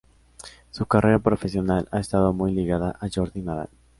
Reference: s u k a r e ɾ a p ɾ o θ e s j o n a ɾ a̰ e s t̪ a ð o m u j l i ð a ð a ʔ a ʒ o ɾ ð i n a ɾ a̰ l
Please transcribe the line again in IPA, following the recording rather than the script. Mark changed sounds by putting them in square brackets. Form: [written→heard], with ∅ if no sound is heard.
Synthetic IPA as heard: s u k a r e ɾ a p ɾ o [θ→f] e s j o n a [ɾ→l] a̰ e s t̪ a ð o m u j l i [ð→ɣ] a ð a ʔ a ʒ o ɾ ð i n a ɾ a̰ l